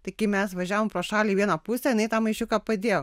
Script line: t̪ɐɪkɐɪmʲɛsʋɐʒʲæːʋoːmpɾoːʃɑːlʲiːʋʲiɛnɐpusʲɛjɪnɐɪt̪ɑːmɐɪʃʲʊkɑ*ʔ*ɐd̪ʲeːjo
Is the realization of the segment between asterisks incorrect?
yes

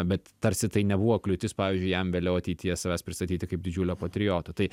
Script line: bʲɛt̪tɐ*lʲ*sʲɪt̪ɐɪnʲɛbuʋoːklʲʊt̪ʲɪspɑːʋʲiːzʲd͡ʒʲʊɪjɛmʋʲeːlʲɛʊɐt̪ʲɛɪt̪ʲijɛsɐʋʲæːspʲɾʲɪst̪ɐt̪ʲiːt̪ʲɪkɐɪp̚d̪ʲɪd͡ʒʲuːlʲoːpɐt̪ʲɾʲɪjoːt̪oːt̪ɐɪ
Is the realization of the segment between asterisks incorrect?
yes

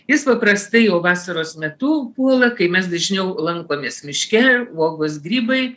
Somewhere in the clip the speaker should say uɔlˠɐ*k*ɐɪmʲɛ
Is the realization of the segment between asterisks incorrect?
no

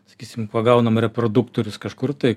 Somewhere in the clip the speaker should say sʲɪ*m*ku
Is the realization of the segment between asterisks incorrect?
no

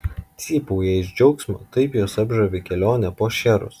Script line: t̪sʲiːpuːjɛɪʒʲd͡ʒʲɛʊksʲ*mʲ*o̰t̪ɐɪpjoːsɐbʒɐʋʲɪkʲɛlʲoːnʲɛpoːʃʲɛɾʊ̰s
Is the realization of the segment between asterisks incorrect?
no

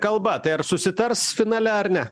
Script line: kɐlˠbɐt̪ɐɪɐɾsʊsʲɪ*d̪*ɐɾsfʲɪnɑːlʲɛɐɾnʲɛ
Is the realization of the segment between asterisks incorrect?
yes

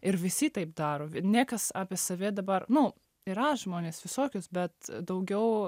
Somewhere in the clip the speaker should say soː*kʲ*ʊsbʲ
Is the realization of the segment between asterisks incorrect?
no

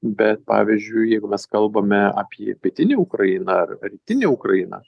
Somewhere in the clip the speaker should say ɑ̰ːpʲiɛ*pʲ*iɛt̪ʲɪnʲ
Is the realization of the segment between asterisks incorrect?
no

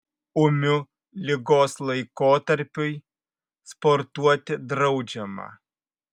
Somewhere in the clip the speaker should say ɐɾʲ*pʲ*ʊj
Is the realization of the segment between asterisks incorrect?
no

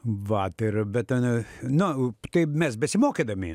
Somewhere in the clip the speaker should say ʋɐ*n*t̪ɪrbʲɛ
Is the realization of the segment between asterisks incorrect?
yes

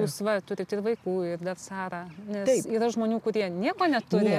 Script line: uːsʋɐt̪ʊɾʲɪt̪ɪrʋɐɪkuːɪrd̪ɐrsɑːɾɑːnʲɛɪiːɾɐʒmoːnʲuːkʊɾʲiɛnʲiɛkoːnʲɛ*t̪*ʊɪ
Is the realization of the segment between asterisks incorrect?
no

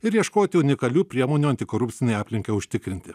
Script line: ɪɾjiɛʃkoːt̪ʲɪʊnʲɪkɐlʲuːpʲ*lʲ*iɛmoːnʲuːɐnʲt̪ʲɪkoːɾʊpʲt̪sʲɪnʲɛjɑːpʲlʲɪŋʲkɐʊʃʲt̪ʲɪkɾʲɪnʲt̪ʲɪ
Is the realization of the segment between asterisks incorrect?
yes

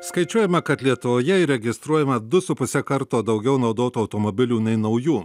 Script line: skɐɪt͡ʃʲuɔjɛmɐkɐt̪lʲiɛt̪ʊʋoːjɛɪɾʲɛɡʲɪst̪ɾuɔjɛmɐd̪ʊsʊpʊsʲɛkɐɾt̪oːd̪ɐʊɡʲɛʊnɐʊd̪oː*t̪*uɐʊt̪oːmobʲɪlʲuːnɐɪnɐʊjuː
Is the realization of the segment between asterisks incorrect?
no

